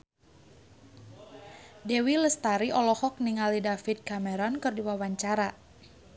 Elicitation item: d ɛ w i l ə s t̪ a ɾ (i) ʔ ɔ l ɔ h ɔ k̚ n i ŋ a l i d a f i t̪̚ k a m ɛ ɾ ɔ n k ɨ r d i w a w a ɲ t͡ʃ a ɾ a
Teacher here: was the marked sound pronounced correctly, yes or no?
yes